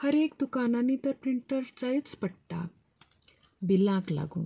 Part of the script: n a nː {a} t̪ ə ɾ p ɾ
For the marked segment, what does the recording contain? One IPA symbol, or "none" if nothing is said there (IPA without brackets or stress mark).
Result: i